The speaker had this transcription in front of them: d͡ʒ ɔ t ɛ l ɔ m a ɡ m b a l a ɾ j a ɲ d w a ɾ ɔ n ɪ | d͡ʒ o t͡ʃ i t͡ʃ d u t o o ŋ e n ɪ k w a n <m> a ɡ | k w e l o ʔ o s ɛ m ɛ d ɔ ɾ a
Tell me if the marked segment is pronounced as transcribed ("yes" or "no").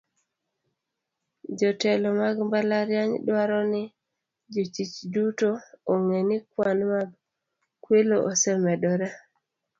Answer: yes